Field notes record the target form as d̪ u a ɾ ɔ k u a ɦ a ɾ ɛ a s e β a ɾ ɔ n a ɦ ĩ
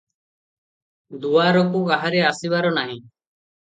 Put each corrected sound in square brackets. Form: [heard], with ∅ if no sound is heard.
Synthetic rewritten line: d̪ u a ɾ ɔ k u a ɦ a ɾ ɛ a s [i] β a ɾ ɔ n a ɦ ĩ